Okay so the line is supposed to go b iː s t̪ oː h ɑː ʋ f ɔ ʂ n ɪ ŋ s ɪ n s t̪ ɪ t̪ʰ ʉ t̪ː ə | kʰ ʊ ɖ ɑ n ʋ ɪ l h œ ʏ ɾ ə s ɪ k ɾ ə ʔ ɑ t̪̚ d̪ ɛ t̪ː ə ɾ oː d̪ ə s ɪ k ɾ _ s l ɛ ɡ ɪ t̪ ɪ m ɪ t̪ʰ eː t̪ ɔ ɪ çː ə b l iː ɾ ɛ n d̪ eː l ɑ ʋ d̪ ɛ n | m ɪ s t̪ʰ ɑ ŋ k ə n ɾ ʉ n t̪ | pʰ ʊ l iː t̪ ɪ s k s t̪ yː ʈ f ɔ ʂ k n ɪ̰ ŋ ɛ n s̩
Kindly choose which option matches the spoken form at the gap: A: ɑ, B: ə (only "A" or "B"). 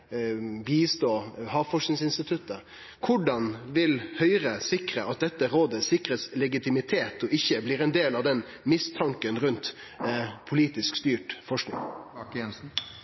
B